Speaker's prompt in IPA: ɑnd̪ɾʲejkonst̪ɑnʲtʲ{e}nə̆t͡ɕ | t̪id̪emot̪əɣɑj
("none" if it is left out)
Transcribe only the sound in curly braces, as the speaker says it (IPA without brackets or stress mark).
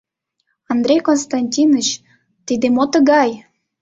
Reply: i